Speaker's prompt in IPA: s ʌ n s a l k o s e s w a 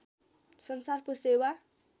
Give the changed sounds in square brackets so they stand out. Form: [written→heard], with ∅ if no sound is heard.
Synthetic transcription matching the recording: s ʌ n s a [l→r] k o s e [s→∅] w a